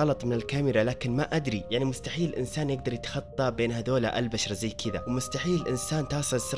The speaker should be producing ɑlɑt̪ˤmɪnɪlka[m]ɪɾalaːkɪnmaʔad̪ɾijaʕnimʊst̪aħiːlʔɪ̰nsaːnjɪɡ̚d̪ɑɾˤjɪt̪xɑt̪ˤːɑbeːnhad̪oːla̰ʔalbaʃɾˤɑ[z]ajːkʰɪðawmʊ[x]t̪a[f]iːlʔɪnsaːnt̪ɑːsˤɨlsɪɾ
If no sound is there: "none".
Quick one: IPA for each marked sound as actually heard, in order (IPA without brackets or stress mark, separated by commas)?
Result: m, z, s, ħ